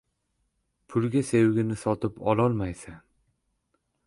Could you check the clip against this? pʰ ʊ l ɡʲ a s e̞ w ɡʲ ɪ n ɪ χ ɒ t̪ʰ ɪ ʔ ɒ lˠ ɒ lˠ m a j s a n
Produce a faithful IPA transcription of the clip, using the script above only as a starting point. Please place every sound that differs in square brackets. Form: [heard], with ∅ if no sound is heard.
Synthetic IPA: pʰ ʊ l ɡʲ a s e̞ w ɡʲ ɪ n ɪ [s] ɒ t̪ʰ ɪ [p] ɒ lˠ ɒ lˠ m a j s a n